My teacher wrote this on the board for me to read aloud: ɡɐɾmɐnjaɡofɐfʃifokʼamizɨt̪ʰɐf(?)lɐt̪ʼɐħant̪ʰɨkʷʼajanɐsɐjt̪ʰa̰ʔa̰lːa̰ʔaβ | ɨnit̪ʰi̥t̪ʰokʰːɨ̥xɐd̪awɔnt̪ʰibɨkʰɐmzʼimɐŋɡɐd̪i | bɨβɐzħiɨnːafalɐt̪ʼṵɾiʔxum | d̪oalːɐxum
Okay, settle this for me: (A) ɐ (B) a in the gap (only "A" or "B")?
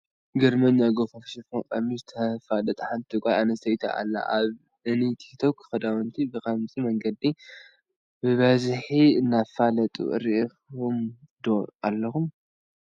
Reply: B